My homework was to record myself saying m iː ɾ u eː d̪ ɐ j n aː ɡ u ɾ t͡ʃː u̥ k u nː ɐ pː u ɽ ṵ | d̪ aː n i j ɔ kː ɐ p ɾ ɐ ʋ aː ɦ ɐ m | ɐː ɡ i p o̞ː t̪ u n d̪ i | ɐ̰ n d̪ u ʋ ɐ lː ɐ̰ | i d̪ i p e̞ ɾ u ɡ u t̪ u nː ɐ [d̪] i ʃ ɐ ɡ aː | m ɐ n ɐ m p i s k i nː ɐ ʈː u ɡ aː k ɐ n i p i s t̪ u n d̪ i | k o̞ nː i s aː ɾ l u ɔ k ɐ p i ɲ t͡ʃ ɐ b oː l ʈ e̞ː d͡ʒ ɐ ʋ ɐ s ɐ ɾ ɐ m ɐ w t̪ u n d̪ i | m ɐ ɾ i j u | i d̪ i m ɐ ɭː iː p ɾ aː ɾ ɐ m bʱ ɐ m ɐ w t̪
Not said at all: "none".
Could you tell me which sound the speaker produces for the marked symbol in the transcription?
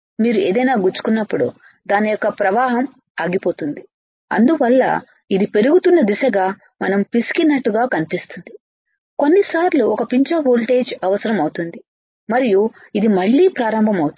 d̪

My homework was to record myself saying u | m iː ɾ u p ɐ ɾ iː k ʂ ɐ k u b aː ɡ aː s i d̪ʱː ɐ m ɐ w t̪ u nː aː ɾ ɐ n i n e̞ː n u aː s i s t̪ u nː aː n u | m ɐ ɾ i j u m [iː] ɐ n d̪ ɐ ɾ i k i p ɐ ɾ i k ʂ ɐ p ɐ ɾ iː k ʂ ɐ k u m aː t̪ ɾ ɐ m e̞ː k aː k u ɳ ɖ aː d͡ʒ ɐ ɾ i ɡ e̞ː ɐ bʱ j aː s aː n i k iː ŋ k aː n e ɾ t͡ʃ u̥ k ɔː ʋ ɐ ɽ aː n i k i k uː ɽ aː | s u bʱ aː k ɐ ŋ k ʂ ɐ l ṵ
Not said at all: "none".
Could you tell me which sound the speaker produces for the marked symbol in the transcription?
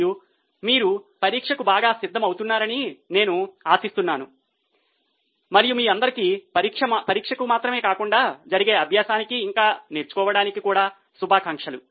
iː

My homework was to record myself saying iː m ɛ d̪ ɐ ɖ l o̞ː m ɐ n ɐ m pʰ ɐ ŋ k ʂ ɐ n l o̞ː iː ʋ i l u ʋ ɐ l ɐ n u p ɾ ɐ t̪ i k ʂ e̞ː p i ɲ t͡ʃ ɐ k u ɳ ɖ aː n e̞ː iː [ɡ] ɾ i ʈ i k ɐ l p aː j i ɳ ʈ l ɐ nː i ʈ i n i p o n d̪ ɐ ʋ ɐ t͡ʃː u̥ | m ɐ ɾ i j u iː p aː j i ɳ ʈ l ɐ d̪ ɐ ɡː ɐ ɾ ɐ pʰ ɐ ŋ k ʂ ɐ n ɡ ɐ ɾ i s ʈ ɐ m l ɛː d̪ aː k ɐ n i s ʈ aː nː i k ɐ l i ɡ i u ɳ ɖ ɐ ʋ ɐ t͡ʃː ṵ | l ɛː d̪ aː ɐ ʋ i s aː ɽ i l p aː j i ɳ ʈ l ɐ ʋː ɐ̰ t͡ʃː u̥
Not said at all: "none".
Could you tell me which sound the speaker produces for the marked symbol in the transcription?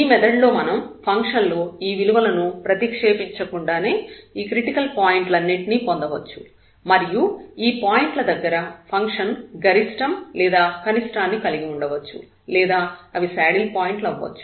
k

